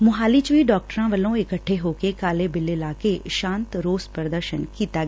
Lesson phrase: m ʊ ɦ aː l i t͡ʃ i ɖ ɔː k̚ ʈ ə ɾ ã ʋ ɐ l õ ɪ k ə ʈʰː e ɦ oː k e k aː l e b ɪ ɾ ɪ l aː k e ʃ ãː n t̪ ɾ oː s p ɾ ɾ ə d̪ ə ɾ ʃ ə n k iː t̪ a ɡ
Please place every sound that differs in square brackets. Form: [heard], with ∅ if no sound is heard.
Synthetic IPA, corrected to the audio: m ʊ ɦ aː l i t͡ʃ i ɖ ɔː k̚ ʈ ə ɾ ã ʋ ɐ l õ ɪ k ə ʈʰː e ɦ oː k e k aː l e b ɪ [l] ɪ l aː k e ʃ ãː n t̪ ɾ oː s p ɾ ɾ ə d̪ ə ɾ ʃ ə n k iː t̪ a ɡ